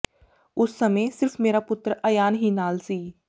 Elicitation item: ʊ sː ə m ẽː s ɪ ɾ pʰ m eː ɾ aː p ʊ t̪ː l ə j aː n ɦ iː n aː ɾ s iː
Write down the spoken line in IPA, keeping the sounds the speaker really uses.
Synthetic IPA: ʊ sː ə m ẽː s ɪ ɾ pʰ m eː ɾ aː p ʊ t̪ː ɾ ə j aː n ɦ iː n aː l s iː